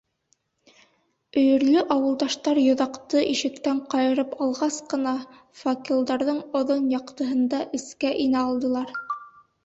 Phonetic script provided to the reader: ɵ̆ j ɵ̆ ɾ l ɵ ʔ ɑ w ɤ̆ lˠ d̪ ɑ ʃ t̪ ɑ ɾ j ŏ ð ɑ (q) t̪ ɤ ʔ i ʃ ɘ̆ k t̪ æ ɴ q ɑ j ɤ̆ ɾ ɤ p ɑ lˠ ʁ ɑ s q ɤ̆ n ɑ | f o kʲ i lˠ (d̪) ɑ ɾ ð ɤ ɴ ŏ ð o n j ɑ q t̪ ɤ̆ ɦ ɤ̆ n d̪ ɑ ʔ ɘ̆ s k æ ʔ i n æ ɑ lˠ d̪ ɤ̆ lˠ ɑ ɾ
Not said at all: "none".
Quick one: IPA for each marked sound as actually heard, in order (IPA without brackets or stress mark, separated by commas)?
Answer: q, d̪